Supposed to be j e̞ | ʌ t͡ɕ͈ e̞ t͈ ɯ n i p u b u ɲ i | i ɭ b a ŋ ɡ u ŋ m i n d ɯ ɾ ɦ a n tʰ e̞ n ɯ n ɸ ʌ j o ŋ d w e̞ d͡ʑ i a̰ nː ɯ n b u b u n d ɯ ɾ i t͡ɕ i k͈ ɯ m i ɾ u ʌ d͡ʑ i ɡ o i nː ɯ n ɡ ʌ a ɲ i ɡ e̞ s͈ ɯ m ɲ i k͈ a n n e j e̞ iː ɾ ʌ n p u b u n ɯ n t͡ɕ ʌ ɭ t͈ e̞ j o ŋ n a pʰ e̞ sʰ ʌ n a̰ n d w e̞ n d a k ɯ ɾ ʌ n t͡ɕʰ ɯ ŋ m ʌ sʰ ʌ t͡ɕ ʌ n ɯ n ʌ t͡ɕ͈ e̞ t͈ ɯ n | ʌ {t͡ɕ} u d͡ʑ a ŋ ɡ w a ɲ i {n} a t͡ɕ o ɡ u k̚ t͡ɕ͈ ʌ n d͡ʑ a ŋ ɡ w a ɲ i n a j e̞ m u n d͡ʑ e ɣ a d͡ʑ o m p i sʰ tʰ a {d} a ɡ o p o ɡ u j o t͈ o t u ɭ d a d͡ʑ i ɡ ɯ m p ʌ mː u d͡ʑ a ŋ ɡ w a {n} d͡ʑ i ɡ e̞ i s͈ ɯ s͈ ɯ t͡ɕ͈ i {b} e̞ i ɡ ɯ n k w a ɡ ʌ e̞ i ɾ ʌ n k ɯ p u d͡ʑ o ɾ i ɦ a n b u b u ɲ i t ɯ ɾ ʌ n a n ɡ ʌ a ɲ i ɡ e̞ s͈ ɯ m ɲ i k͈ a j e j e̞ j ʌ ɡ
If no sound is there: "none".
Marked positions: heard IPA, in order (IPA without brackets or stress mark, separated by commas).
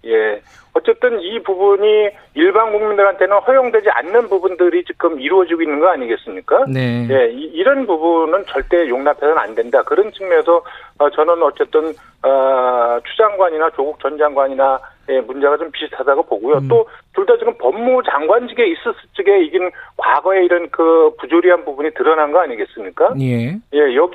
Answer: t͡ɕʰ, n, d, n, ɡ